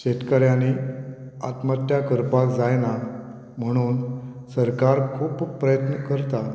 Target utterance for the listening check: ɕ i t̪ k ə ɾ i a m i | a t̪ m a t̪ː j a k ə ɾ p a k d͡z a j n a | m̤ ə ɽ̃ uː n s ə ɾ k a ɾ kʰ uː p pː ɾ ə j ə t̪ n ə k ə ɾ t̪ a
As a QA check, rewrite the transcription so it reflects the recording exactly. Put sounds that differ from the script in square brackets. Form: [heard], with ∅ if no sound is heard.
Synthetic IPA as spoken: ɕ [e] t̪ k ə ɾ [j] a [n] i | a t̪ m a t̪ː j a k ə ɾ p a k d͡z a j n a | m̤ ə ɽ̃ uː n s ə ɾ k a ɾ kʰ uː p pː ɾ ə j ə t̪ n ə k ə ɾ t̪ a